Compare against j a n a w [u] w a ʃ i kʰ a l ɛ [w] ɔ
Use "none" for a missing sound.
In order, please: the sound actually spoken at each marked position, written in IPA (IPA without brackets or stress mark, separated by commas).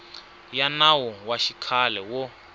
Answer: ɔ, w